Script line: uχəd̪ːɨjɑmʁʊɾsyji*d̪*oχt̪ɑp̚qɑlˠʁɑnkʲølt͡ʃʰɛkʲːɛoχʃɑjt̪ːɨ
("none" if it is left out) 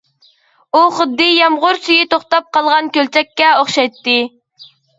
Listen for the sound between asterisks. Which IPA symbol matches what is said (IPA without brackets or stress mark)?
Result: t̪